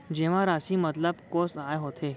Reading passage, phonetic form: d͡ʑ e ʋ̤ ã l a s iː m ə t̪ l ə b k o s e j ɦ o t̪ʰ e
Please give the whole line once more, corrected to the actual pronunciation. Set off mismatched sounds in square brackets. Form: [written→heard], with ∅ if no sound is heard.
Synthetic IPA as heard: d͡ʑ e ʋ̤ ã [l→ɾ] a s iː m ə t̪ l ə b k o s [e→a] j ɦ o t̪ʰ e